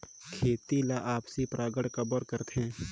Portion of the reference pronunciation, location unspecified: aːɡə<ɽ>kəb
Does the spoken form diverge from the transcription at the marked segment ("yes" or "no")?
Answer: no